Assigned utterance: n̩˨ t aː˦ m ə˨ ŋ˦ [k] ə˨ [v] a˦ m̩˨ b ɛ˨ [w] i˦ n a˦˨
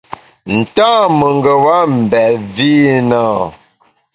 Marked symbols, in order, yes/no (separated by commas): no, no, no